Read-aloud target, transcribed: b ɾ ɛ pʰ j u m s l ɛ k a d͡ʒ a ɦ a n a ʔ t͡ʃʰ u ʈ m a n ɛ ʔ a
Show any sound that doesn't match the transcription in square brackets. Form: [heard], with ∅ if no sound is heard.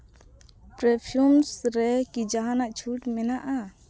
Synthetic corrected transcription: [p] ɾ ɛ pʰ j u m s [ɾ] ɛ k [i] d͡ʒ a ɦ a n a ʔ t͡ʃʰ u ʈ m [ɛ] n [a] ʔ a